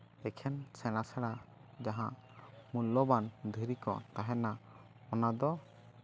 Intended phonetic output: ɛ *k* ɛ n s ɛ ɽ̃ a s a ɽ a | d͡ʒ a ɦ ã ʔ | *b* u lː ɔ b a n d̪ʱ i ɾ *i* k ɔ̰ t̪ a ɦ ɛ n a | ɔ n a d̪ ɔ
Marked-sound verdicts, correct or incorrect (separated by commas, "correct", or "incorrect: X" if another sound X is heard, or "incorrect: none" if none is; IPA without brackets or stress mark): incorrect: kʰ, incorrect: m, correct